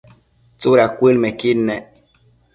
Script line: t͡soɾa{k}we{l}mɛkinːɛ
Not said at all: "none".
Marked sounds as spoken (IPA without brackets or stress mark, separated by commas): k, l